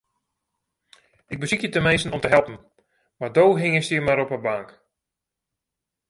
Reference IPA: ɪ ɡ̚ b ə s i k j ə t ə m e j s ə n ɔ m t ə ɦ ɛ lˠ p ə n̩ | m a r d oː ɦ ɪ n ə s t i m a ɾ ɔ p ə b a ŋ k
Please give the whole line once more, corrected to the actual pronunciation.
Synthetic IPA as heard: ɪ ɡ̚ b ə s i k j ə t ə m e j s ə n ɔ m t ə ɦ ɛ lˠ p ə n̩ | m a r d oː ɦ ɪ ŋ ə s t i m a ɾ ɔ p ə b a ŋ k